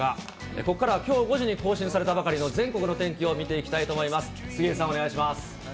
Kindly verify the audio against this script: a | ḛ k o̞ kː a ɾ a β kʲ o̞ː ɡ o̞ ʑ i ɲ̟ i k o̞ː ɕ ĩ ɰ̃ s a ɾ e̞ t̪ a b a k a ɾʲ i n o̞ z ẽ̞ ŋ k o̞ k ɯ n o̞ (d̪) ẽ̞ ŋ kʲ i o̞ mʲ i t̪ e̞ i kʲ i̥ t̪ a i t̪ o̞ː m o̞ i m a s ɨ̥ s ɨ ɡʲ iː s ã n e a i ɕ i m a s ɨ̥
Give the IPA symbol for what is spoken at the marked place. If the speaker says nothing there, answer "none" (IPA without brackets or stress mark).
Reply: t̪